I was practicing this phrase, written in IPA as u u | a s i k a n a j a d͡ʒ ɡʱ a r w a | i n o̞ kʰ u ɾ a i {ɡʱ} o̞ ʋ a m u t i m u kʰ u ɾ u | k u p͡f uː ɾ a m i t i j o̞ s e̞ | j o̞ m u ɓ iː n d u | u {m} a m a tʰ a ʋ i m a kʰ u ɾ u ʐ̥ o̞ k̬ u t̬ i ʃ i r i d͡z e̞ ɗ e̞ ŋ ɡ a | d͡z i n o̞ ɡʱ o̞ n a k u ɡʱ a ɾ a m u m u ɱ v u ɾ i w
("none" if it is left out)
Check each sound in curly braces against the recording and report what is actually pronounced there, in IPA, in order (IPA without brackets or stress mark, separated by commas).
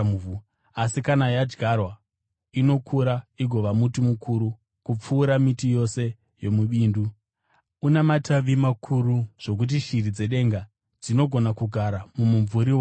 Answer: ɡʱ, n